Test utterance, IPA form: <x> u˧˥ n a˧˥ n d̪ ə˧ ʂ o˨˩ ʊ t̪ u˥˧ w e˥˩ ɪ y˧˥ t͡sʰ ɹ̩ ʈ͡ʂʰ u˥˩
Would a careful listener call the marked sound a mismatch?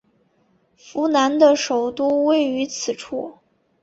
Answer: yes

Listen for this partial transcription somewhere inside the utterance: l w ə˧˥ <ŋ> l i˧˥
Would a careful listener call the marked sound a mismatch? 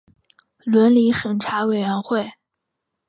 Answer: yes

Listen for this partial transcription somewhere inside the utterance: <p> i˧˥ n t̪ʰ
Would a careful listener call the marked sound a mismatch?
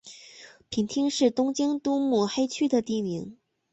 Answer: yes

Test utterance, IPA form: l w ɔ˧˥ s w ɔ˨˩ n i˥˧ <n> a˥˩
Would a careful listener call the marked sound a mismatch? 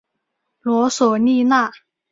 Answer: no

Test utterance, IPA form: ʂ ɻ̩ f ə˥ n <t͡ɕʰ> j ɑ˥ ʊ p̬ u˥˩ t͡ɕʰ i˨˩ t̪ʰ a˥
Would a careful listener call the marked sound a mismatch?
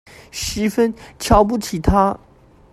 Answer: no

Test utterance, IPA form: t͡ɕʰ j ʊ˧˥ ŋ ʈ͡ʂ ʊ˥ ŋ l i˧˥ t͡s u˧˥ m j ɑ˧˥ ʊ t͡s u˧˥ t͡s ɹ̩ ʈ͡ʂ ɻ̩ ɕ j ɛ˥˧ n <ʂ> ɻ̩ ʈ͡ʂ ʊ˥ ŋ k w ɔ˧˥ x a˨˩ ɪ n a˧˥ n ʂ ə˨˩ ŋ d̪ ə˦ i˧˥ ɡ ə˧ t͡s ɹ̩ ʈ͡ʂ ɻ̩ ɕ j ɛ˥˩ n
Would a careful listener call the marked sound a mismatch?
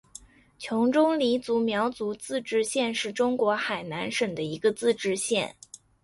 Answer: no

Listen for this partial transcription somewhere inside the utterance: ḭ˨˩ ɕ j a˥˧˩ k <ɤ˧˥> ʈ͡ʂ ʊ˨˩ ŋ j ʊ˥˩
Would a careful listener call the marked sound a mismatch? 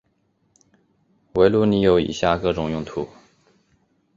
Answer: yes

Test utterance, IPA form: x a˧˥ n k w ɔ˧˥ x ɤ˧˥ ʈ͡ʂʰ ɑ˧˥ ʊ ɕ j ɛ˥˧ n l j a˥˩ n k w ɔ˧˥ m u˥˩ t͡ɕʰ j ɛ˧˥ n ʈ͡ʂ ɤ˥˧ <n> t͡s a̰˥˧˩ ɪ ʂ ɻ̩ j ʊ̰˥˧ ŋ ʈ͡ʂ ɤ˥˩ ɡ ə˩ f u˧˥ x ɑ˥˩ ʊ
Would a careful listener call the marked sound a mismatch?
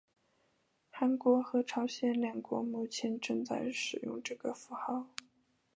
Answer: yes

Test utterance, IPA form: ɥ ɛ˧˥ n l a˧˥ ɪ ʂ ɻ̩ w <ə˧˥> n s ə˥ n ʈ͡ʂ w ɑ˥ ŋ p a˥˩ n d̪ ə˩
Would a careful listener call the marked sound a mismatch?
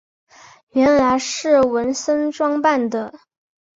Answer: no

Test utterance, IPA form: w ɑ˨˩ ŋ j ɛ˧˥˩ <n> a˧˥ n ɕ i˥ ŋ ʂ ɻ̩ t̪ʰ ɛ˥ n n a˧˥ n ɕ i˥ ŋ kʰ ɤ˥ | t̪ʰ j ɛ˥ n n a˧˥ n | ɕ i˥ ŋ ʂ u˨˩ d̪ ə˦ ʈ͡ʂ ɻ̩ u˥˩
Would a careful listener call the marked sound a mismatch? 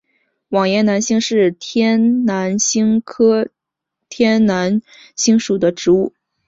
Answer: no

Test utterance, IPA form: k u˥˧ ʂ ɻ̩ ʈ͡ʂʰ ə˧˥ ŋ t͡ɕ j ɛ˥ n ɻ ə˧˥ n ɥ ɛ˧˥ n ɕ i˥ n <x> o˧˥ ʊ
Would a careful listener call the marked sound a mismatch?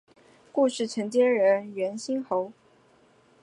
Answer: no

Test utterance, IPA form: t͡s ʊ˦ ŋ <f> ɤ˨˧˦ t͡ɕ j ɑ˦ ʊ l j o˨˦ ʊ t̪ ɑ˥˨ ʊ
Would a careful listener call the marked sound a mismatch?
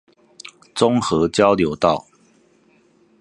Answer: yes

